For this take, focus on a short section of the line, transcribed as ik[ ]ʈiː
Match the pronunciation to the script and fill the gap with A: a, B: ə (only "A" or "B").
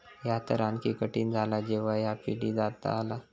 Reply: B